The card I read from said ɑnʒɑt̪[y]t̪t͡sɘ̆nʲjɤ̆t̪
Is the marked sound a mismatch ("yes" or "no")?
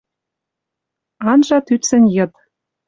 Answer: no